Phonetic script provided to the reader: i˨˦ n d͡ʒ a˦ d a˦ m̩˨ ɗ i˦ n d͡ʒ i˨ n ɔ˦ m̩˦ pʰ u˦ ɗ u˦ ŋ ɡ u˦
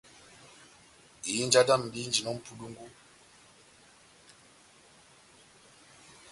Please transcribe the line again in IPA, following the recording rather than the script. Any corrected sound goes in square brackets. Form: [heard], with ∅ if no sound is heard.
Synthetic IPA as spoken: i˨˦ n d͡ʒ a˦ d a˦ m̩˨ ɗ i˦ n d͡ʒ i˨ n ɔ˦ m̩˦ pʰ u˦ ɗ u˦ ŋ ɡ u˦